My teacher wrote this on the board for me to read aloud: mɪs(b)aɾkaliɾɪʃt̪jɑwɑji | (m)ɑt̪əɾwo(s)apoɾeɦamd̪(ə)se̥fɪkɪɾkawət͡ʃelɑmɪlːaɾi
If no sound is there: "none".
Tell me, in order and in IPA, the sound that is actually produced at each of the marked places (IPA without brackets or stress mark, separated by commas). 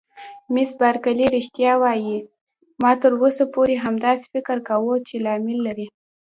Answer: b, m, s, ɑ